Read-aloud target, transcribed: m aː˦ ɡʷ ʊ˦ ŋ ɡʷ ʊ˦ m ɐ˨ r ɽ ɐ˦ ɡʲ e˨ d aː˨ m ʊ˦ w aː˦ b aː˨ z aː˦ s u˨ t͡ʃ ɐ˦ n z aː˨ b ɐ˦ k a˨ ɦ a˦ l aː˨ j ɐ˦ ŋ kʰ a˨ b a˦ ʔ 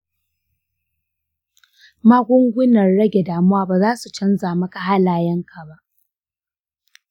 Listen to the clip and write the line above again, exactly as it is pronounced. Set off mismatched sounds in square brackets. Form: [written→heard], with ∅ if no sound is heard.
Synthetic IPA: m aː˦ ɡʷ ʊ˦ ŋ ɡʷ ʊ˦ [m→n] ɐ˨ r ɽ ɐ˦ ɡʲ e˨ d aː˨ m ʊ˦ w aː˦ b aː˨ z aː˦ s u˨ t͡ʃ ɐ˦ n z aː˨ [b→m] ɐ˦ k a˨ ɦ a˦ l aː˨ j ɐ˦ ŋ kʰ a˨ b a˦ ʔ